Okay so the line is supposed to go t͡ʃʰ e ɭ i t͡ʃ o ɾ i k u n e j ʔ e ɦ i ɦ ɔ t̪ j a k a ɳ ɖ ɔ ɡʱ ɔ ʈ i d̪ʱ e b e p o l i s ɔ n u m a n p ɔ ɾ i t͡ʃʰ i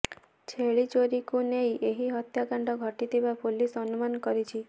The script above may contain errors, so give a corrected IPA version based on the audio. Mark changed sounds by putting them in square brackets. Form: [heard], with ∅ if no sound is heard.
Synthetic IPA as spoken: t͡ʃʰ e ɭ i t͡ʃ o ɾ i k u n e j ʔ e ɦ i ɦ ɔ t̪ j a k a ɳ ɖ ɔ ɡʱ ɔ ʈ i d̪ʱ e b [a] p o l i s ɔ n u m a n [k] ɔ ɾ i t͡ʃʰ i